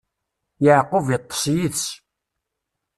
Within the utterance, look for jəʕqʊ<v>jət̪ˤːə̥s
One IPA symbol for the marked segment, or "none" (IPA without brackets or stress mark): v